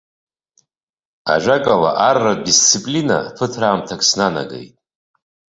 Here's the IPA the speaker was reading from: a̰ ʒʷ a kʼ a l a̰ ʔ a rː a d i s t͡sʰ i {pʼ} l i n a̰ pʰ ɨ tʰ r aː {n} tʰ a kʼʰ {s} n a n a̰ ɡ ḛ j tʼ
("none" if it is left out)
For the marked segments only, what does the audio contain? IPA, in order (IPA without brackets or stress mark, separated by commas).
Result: pʼ, m, s